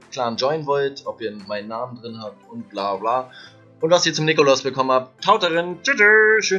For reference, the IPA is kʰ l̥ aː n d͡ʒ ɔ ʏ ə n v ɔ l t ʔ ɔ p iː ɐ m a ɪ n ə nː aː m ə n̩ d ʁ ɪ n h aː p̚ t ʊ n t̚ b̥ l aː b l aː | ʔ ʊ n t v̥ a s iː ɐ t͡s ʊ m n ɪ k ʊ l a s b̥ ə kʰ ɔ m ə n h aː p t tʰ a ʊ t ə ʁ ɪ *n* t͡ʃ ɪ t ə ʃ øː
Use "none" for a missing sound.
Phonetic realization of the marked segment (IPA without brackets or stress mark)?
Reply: n